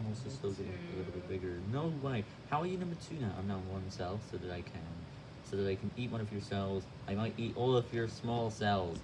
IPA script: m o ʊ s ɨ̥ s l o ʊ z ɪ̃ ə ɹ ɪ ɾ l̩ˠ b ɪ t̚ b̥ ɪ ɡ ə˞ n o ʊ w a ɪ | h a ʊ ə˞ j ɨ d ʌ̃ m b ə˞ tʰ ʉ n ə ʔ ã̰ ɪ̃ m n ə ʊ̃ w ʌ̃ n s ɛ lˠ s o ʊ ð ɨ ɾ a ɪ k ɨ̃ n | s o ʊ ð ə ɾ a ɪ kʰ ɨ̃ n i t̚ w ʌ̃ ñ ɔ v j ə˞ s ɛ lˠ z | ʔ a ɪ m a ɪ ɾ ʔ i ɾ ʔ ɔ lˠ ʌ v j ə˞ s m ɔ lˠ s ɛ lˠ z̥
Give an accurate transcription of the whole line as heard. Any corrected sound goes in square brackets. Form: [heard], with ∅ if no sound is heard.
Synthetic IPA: m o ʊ s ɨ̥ s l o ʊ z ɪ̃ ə [l] ɪ ɾ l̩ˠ b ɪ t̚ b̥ ɪ ɡ ə˞ n o ʊ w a ɪ | h a ʊ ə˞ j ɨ [n] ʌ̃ m b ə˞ tʰ ʉ n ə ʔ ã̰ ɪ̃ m n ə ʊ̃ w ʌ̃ n s ɛ lˠ s o ʊ ð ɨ ɾ a ɪ [kʰ] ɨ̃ n | s o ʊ ð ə ɾ a ɪ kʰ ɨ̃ n i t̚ w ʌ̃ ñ [ʌ] v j ə˞ s ɛ lˠ z | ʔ a ɪ m a ɪ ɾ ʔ i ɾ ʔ ɔ lˠ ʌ v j ə˞ s m ɔ lˠ s ɛ lˠ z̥